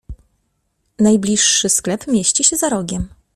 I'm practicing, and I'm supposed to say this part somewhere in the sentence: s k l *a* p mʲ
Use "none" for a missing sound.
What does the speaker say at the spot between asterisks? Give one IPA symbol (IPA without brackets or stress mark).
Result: ɛ